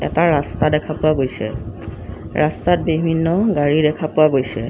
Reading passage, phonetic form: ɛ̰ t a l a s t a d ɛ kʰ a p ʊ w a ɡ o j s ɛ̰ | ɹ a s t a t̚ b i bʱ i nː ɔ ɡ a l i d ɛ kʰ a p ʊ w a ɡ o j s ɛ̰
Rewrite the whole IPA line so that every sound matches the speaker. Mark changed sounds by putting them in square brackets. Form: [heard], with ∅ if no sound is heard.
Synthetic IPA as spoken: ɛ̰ t a [ɹ] a s t a d ɛ kʰ a p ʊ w a ɡ o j s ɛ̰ | ɹ a s t a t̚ b i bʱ i nː ɔ ɡ a [ɹ] i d ɛ kʰ a p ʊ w a ɡ o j s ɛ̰